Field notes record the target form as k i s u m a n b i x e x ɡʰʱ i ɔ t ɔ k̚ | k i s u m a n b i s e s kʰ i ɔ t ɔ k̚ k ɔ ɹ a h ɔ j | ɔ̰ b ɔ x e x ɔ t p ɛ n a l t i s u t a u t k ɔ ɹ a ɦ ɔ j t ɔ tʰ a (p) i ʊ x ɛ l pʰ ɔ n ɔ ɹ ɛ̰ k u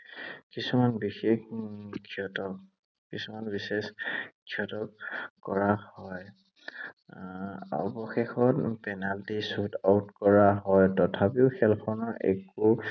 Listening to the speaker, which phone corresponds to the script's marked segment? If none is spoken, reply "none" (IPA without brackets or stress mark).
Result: p